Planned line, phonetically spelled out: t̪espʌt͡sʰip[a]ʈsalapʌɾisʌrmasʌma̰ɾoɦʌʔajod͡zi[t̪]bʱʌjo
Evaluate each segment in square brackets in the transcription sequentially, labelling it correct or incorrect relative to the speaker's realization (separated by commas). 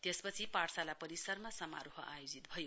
correct, correct